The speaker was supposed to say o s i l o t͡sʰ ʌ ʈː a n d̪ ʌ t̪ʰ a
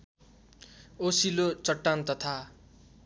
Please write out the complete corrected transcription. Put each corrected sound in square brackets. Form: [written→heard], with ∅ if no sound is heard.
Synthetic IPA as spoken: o s i l o [t͡sʰ→t͡s] ʌ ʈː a n [d̪→t̪] ʌ t̪ʰ a